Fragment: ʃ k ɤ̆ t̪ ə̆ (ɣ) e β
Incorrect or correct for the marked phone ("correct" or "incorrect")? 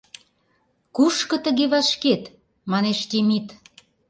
correct